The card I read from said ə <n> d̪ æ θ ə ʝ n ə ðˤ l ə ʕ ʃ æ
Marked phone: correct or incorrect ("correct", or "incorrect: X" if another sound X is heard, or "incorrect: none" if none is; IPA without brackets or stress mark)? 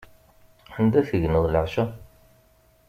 correct